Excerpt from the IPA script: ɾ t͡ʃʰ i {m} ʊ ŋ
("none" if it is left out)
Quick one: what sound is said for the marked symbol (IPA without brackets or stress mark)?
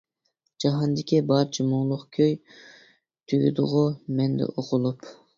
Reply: m